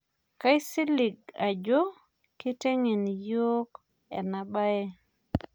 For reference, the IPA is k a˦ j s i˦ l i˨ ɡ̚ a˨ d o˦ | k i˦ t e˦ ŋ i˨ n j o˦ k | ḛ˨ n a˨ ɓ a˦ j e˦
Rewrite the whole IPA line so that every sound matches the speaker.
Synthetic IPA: k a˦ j s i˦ l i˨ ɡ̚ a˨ d͡ʒ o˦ | k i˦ t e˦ ŋ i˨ n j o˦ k | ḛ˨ n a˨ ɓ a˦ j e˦